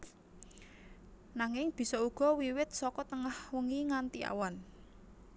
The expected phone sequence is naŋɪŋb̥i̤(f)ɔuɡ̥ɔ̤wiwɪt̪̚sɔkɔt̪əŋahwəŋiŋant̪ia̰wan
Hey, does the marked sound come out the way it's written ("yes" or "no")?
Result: no